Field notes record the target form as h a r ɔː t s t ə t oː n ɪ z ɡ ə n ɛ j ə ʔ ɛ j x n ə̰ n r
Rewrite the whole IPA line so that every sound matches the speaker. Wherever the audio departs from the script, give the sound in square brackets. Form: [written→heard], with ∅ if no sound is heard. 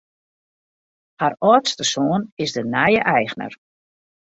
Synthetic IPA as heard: h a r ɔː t s t ə [t→s] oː n ɪ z [ɡ→d] ə n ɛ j ə ʔ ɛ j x n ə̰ [n→∅] r